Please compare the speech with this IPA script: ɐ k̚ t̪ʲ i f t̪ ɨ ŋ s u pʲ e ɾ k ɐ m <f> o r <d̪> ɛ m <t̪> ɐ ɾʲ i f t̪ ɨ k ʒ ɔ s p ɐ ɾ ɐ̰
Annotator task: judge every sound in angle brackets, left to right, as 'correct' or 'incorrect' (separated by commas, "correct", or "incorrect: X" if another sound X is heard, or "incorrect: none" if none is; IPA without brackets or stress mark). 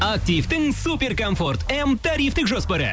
correct, incorrect: t̪, correct